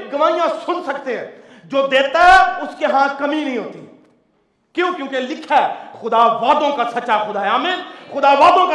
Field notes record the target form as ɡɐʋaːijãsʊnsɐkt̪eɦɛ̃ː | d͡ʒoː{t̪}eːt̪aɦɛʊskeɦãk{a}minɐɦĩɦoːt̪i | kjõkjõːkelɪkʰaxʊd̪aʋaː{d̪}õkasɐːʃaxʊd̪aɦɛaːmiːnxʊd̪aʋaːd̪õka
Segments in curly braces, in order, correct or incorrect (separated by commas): incorrect, incorrect, correct